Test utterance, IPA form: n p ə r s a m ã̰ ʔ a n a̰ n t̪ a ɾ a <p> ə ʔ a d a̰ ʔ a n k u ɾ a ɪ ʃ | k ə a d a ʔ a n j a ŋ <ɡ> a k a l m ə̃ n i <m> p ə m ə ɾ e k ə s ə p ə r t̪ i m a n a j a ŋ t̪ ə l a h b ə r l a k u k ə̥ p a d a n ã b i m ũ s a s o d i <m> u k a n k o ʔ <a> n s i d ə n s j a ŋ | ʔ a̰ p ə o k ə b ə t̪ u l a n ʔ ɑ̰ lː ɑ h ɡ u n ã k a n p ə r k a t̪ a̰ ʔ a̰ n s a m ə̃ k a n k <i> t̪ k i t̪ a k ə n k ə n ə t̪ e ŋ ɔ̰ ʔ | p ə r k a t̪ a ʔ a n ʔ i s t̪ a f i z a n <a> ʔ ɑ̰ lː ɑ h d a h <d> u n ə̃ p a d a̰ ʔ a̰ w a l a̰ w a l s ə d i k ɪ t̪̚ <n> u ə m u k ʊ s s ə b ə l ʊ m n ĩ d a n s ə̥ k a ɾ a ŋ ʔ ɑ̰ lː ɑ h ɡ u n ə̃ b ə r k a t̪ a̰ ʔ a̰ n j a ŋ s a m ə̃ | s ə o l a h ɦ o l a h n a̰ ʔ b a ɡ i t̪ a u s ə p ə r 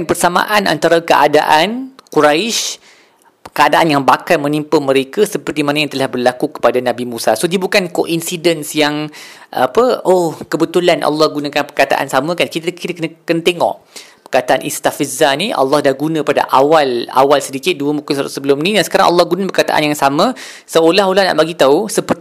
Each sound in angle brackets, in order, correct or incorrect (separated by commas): incorrect, incorrect, correct, incorrect, incorrect, correct, incorrect, incorrect, incorrect